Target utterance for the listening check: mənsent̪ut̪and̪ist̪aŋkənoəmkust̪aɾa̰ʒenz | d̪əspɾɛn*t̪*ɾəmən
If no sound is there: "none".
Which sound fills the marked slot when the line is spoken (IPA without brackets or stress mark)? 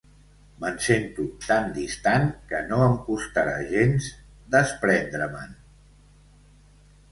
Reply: d̪